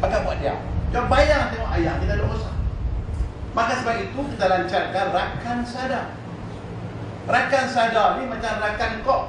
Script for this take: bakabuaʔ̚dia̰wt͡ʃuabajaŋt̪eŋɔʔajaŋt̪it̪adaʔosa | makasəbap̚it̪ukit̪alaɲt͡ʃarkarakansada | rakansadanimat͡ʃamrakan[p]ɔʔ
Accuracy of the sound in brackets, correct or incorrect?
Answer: incorrect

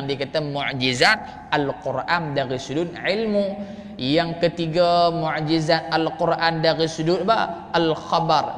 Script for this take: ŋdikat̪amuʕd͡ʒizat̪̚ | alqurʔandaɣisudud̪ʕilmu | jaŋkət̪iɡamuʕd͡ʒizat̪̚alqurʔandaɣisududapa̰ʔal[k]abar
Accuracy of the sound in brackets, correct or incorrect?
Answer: incorrect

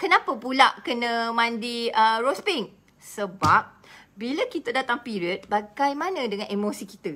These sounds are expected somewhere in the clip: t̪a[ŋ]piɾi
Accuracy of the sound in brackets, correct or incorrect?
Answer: correct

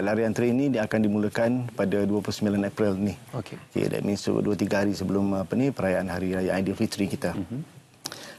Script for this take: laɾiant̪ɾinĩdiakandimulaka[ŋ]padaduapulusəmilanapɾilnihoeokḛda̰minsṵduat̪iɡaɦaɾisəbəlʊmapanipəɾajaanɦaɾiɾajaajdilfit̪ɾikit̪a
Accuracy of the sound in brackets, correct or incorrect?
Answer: incorrect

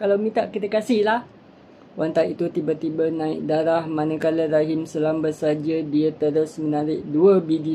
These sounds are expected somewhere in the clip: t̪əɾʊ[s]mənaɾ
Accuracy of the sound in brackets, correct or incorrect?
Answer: correct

